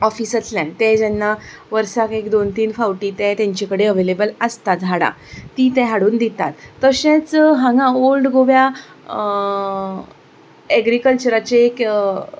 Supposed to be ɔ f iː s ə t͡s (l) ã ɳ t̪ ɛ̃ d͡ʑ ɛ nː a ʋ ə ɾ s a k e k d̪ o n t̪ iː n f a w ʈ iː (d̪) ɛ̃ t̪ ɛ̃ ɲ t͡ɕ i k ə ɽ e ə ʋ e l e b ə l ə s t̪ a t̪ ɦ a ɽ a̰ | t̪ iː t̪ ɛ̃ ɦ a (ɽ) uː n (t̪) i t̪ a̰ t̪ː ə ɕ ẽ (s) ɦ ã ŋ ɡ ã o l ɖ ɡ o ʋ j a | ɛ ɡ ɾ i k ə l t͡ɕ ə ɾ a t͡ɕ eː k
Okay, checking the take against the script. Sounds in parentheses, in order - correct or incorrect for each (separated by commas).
correct, incorrect, correct, incorrect, incorrect